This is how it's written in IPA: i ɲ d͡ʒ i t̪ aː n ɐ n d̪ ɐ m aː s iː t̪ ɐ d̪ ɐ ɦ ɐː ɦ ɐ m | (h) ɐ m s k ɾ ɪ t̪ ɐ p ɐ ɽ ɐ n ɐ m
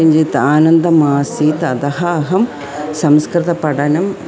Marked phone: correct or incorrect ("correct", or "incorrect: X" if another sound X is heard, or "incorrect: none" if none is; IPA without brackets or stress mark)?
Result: incorrect: s